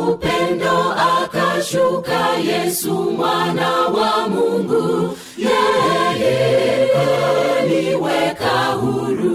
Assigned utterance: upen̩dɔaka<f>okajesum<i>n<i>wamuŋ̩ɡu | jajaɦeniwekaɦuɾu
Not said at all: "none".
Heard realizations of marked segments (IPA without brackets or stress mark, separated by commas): ʃ, a, a